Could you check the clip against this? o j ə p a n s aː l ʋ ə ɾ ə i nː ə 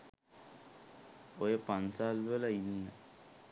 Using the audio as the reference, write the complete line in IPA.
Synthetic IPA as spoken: o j ə p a n s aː l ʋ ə l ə i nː ə